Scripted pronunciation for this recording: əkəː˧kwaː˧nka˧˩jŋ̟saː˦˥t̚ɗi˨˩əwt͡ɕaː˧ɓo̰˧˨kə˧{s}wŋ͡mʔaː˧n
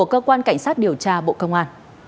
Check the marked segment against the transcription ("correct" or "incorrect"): incorrect